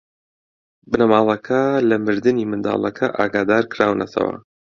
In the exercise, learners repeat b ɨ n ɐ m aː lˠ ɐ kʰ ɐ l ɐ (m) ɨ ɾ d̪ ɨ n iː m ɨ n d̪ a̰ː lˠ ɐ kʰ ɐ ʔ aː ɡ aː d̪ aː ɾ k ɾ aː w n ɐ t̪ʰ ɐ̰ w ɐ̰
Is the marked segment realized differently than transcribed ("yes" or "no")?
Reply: no